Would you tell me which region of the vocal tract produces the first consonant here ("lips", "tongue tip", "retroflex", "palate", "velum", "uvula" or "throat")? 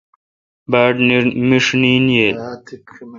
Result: lips